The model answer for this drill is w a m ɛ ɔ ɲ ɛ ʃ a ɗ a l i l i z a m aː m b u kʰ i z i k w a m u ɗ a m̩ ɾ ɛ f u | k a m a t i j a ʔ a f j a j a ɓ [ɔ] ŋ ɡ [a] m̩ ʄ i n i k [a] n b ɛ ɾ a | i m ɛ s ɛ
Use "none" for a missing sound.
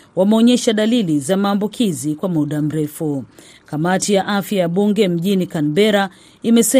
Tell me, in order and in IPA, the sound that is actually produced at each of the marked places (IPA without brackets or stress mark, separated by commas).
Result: u, ɛ, a